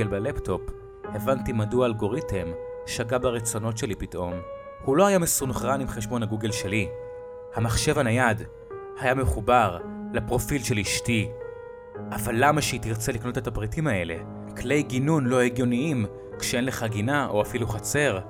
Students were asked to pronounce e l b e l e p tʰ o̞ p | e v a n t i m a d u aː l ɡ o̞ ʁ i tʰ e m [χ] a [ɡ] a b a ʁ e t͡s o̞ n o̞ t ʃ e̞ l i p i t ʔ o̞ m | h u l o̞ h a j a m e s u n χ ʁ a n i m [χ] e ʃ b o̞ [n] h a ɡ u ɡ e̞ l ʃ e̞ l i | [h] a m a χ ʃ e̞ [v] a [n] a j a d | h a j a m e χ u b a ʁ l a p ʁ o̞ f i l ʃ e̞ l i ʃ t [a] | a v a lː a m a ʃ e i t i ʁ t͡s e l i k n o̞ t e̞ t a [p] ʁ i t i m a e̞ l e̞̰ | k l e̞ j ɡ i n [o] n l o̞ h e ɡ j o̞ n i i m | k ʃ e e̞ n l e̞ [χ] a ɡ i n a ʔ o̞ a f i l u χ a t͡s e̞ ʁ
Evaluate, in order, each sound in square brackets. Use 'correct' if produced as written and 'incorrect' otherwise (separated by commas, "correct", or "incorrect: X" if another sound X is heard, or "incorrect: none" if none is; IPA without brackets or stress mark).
incorrect: ʃ, correct, correct, correct, correct, correct, correct, incorrect: i, correct, incorrect: u, correct